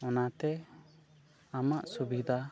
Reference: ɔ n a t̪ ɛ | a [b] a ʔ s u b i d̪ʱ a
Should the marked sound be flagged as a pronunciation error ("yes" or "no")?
yes